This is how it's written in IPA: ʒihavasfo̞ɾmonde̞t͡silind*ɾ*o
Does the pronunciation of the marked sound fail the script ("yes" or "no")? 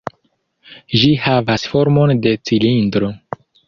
no